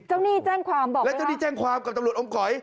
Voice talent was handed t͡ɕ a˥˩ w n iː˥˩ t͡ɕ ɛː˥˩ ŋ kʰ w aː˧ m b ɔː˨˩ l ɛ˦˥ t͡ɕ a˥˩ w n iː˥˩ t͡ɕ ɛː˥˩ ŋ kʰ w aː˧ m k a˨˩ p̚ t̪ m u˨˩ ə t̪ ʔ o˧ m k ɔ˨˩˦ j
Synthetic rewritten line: t͡ɕ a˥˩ w n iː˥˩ t͡ɕ ɛː˥˩ ŋ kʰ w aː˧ m b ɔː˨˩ l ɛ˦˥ t͡ɕ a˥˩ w n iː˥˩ t͡ɕ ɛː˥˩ ŋ kʰ w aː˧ m k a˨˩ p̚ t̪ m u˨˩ ə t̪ ʔ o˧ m k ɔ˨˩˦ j

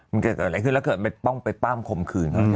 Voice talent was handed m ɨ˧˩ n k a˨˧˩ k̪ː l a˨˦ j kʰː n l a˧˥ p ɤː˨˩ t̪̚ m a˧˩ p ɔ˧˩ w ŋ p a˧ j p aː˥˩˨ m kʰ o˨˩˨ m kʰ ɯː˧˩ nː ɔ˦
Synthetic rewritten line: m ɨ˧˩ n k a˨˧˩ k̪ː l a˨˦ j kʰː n l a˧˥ k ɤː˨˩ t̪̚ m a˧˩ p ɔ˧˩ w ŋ p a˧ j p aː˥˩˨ m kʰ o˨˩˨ m kʰ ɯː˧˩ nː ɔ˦

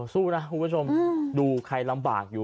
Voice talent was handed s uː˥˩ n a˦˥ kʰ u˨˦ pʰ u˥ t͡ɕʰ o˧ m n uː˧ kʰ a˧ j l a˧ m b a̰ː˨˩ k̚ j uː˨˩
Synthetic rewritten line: s uː˥˩ n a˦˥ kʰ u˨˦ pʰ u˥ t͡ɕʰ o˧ m d uː˧ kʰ a˧ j l a˧ m b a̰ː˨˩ k̚ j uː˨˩

